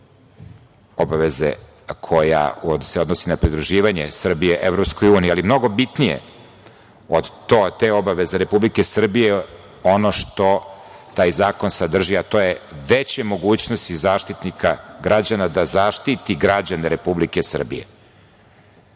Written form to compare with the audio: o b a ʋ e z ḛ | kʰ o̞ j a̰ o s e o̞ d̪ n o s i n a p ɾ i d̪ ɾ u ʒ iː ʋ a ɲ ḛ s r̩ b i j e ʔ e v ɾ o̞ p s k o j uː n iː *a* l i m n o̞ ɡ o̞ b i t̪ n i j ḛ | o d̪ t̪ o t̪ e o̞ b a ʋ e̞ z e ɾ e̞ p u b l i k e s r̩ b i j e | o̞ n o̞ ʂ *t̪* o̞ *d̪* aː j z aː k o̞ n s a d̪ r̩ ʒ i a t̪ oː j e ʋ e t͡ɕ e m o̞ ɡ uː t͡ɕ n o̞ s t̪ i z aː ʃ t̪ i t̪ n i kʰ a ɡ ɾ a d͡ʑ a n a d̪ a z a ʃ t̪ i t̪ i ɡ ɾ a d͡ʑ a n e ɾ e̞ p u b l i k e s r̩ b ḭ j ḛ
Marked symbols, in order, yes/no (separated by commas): yes, yes, no